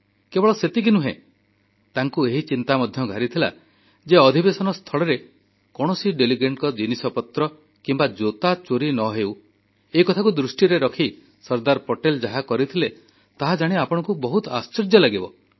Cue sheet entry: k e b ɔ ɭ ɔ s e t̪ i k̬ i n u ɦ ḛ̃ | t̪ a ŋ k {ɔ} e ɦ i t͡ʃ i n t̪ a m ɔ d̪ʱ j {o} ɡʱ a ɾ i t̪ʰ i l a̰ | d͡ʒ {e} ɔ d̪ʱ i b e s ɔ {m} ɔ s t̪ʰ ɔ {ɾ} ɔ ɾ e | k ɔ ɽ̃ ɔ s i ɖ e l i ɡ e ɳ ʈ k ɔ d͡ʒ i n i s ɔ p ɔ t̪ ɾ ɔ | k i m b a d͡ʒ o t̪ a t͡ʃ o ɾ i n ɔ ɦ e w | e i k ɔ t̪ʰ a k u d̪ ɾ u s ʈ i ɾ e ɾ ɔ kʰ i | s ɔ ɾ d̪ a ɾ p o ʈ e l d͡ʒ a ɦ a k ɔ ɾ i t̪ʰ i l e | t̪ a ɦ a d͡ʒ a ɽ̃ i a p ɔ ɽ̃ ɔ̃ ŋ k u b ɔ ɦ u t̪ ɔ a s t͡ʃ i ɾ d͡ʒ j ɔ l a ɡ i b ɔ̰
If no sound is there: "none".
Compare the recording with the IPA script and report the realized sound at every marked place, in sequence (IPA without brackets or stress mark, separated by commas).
u, ɔ, e, n, ɭ